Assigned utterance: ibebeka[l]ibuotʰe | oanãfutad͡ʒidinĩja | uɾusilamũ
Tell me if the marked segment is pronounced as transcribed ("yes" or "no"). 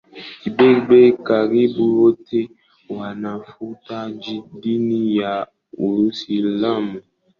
no